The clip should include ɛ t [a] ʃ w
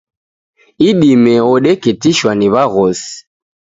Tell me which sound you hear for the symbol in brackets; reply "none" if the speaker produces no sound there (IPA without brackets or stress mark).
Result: i